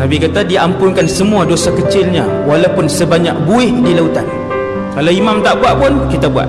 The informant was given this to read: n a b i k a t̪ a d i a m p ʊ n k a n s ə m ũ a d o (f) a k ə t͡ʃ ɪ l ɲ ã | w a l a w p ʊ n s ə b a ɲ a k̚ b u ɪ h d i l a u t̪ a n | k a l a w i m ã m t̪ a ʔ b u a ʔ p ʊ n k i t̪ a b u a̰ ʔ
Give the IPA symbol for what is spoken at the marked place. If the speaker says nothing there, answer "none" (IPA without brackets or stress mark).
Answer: s